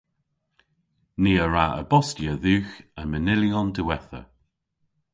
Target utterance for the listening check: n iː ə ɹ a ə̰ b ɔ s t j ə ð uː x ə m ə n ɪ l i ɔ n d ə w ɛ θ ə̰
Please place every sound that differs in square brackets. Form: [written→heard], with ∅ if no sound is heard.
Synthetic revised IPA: n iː ə ɹ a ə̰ b ɔ s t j ə ð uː x ə m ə n ɪ l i ɔ n d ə w ɛ θ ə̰